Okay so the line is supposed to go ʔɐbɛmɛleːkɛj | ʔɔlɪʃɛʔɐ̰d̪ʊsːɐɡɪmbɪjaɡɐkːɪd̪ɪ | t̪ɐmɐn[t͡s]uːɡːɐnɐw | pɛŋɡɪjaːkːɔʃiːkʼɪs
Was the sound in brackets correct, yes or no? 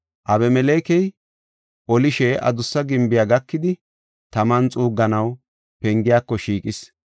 no